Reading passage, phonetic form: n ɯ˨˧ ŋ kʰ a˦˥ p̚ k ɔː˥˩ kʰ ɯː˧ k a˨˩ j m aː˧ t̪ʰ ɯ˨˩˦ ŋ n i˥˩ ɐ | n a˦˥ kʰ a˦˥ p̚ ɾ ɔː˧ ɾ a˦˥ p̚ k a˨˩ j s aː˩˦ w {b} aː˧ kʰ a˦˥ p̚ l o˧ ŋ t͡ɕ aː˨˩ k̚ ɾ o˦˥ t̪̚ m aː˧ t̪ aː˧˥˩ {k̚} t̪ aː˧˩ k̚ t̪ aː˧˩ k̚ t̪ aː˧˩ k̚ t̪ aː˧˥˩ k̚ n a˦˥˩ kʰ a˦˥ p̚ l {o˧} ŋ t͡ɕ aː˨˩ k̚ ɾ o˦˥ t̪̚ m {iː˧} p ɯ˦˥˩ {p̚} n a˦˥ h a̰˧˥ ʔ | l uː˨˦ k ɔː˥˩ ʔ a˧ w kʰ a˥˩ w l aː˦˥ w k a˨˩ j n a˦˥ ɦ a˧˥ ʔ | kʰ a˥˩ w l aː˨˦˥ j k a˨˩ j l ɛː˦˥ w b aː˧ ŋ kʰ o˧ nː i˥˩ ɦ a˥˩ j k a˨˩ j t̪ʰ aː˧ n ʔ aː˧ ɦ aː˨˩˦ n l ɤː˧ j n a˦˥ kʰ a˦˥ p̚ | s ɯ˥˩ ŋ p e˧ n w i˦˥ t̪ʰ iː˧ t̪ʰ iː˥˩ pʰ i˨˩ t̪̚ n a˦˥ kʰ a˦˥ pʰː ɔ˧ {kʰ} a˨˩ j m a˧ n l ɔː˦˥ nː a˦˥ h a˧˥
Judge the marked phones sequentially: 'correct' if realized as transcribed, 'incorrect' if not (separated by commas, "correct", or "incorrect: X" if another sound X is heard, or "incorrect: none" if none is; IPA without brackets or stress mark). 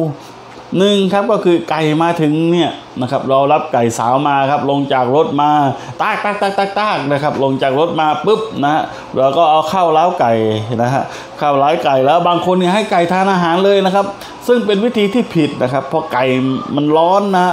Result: incorrect: m, correct, correct, incorrect: aː˧, correct, incorrect: k